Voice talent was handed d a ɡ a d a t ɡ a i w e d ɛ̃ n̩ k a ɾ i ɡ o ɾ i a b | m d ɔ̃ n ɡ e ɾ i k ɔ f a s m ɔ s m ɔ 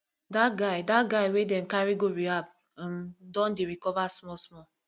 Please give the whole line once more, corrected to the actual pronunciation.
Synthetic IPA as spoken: d a ɡ a d a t ɡ a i w e d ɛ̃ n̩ k a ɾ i ɡ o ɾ i a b | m d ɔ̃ n d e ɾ i k ɔ v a s m ɔ s m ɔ